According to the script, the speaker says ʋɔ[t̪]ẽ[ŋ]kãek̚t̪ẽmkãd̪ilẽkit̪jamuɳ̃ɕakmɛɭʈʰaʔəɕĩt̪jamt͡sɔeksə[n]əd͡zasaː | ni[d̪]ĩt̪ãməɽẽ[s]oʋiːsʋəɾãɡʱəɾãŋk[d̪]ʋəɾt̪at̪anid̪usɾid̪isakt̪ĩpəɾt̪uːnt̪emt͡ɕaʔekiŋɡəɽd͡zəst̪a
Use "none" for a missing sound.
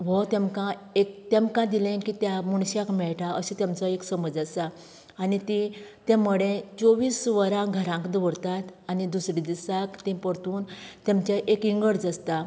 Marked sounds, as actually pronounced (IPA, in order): t̪, m, m, t̪, t͡s, d̪

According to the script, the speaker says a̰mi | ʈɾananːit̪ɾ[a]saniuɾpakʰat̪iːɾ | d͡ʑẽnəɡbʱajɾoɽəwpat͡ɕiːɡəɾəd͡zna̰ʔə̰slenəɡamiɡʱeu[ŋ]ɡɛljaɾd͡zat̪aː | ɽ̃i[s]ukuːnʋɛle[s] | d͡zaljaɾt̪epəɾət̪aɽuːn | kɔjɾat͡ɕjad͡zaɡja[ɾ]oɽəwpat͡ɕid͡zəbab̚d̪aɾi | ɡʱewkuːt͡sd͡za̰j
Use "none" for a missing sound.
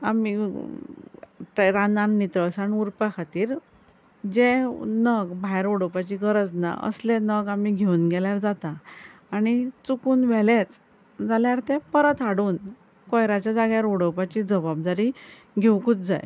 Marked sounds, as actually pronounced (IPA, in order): ə, n, t͡s, t͡s, ɾ

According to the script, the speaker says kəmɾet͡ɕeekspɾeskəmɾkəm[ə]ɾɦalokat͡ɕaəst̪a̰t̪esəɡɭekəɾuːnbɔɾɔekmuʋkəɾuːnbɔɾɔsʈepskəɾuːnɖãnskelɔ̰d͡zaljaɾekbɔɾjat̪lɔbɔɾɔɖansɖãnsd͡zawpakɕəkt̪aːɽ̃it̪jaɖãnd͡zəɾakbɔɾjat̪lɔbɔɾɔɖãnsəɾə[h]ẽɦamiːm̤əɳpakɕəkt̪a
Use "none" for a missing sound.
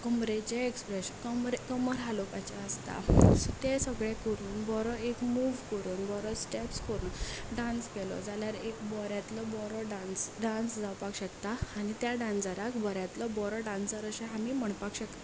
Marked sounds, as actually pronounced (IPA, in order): ə, ɕ

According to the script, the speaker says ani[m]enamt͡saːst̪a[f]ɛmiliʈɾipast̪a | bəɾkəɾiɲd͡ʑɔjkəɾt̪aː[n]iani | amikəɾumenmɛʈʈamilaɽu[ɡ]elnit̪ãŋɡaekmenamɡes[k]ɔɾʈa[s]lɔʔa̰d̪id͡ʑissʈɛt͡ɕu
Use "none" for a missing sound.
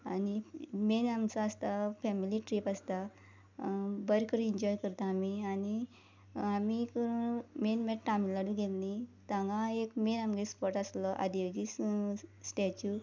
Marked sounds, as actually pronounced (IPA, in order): m, f, m, ɡ, p, s

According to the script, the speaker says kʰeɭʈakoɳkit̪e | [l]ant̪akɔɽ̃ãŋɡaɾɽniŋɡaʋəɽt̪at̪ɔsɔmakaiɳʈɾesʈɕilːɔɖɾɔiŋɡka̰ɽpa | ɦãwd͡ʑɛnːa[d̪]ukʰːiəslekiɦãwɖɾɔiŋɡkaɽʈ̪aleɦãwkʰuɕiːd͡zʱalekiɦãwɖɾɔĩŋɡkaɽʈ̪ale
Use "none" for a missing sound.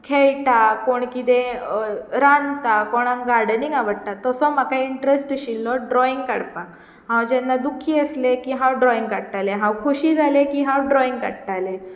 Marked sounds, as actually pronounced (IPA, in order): ɾ, d̪

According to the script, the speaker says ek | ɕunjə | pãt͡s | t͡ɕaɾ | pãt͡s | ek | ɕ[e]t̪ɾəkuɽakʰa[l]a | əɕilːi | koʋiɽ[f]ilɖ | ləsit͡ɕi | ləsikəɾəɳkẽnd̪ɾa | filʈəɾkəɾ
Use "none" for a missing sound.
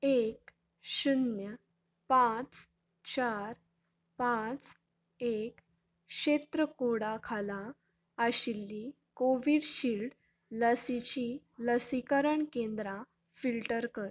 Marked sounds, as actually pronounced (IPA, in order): e, l, ɕ

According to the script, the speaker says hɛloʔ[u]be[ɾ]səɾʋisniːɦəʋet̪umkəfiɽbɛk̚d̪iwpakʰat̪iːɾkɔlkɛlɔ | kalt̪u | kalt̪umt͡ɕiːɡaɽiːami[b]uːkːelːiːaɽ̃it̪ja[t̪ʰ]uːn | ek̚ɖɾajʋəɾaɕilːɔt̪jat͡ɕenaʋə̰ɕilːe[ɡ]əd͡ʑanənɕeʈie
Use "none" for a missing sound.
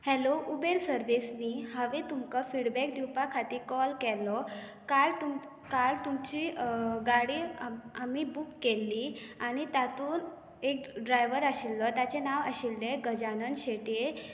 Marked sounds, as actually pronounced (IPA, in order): u, ɾ, b, t̪, ɡ

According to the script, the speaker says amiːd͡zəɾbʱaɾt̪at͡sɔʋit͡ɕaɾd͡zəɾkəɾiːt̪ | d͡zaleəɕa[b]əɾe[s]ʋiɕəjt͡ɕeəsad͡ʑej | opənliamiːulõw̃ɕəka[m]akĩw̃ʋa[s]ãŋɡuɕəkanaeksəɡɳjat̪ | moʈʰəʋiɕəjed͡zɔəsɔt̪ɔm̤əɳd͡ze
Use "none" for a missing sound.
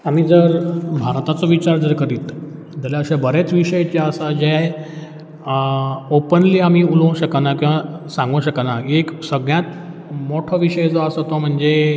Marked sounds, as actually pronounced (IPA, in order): b, t͡s, n, s

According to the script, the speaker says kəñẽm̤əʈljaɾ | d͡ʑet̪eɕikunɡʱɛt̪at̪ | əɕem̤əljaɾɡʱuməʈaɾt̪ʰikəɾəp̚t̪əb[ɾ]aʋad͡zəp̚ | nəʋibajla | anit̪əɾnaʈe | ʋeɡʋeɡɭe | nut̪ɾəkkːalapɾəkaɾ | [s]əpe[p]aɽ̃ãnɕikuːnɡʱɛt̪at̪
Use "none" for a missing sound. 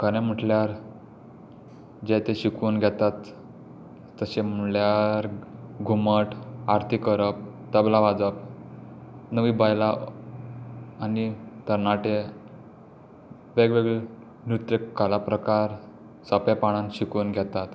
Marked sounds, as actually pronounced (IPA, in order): l, s, p

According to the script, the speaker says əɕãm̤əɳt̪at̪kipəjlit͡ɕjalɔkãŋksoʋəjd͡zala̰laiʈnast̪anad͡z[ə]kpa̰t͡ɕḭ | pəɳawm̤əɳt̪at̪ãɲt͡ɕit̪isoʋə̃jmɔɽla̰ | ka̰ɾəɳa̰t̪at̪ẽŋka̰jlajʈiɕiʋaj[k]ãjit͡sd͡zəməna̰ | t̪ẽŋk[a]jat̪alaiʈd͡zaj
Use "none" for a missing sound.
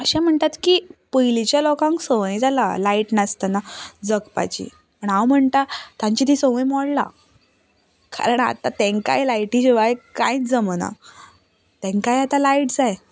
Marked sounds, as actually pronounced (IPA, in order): ə, k, a

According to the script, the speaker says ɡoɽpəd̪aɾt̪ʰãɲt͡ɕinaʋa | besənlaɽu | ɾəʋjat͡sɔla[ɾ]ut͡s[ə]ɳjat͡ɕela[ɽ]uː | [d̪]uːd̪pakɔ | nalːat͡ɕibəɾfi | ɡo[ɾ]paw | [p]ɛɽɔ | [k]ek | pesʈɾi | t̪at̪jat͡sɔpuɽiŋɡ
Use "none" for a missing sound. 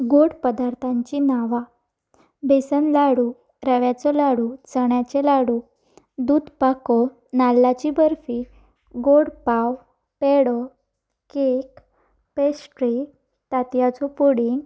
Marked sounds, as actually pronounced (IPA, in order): ɽ, ə, ɽ, d̪, ɽ, p, k

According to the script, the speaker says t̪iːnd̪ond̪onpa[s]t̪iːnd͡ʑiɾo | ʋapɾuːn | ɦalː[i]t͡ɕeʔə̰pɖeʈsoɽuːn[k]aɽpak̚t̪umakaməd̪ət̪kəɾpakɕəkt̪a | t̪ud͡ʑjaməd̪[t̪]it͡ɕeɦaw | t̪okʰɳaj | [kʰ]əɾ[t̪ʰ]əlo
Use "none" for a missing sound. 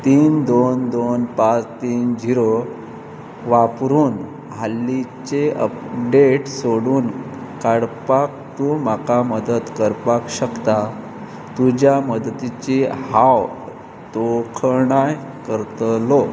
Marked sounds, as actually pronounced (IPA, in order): t͡s, i, k, t̪, k, t̪

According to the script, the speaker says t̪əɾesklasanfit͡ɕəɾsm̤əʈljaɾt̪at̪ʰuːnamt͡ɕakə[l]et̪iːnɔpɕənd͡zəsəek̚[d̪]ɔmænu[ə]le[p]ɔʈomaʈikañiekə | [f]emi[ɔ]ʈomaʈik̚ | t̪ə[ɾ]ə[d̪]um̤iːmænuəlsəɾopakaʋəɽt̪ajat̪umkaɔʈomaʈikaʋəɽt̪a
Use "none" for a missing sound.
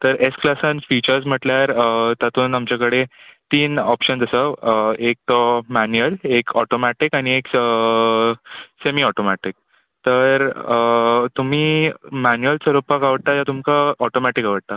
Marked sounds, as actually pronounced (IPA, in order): ɽ, t̪, ə, k, s, ɔ, ɾ, t̪

